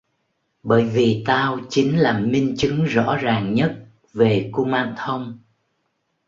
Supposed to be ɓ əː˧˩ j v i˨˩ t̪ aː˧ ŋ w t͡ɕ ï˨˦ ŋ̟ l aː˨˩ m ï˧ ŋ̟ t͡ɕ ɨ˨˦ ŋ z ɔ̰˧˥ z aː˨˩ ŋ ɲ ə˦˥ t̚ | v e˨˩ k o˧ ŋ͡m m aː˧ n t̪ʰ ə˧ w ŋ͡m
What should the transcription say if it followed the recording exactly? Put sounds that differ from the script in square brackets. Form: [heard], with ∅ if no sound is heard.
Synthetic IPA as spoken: ɓ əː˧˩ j v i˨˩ t̪ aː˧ [∅] w t͡ɕ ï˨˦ ŋ̟ l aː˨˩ m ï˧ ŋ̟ t͡ɕ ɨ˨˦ ŋ z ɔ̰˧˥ z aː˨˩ ŋ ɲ ə˦˥ t̚ | v e˨˩ k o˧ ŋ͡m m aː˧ n t̪ʰ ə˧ w ŋ͡m